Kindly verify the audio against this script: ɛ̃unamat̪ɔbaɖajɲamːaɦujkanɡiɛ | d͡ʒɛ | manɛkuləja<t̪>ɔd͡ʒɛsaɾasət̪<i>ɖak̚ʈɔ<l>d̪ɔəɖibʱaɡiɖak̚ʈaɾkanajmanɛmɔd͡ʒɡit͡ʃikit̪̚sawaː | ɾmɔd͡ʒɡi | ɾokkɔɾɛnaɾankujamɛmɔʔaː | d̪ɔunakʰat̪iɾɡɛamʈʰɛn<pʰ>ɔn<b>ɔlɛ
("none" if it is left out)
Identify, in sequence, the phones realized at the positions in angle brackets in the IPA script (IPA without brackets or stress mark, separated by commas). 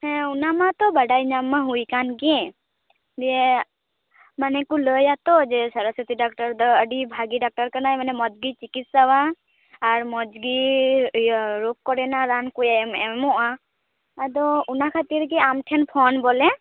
t̪, i, ɾ, pʰ, b